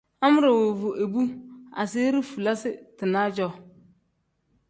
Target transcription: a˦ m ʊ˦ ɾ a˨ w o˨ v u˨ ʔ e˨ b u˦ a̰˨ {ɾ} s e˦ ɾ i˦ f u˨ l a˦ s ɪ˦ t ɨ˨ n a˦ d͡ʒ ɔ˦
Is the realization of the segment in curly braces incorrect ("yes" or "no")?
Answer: yes